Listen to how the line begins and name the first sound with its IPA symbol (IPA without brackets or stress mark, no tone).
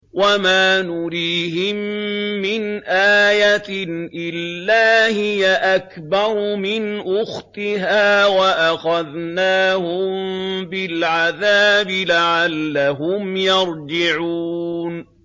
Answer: w